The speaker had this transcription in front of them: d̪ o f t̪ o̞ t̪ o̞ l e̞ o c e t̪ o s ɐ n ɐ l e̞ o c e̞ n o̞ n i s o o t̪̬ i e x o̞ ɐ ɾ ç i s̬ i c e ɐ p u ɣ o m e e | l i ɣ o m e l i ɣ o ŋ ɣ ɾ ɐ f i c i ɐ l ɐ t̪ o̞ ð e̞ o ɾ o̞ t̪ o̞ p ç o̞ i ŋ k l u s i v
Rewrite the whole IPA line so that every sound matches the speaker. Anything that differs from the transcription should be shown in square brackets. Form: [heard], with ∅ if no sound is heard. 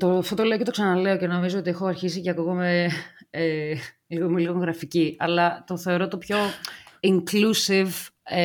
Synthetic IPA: [t̪] o f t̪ o̞ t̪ o̞ l e̞ o c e t̪ o s ɐ n ɐ l e̞ o c e̞ n o̞ [m] i [z] o o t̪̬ i e x o̞ ɐ ɾ ç i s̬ i c e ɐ [k] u ɣ o m e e | l i ɣ o m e l i ɣ o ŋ ɣ ɾ ɐ f i c i ɐ l ɐ t̪ o̞ [θ] e̞ o ɾ o̞ t̪ o̞ p ç o̞ i ŋ k l u s i v